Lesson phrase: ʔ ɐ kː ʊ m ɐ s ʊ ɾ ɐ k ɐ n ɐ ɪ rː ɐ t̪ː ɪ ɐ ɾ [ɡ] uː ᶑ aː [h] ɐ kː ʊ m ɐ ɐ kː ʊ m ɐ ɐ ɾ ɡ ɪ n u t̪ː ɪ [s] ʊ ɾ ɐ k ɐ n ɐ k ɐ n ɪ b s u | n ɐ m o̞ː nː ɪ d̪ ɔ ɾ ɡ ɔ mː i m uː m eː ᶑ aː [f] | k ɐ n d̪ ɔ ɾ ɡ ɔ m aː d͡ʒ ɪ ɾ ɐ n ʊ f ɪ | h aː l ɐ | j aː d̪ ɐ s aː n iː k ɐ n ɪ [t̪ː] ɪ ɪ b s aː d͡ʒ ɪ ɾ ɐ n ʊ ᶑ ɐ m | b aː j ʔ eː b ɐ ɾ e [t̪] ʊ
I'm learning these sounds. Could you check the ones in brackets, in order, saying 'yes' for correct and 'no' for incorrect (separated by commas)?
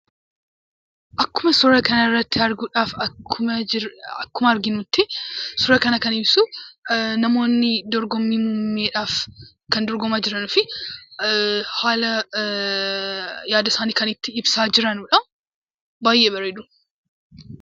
yes, no, yes, yes, yes, no